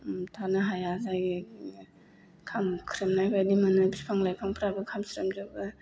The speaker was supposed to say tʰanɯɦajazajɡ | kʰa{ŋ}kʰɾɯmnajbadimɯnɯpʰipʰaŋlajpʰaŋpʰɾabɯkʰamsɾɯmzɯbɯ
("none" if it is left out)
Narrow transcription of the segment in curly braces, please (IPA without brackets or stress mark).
m